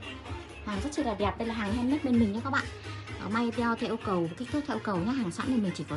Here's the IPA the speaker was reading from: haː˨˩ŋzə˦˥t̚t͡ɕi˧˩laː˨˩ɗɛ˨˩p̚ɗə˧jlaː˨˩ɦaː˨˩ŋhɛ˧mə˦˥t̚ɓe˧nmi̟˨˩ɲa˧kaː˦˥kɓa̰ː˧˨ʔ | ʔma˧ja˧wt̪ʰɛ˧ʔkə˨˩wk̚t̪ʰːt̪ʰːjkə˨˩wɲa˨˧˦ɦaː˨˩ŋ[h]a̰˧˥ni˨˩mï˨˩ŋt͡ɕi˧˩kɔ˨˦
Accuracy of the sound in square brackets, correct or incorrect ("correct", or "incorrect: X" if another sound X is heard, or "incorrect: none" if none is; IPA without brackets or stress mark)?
incorrect: s